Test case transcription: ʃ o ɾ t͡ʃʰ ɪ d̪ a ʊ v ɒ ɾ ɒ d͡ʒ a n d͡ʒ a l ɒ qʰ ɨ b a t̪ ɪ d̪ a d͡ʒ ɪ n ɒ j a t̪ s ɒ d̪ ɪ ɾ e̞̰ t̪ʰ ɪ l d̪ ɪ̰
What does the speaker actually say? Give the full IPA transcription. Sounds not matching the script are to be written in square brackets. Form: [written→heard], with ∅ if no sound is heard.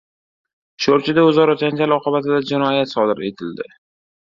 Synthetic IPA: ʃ o ɾ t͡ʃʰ ɪ d̪ a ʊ [v→z] ɒ ɾ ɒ d͡ʒ a n d͡ʒ a l ɒ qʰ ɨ b a t̪ ɪ d̪ a d͡ʒ ɪ n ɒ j a t̪ s ɒ d̪ ɪ ɾ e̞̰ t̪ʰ ɪ l d̪ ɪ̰